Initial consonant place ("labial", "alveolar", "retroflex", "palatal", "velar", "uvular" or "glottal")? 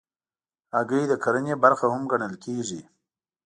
velar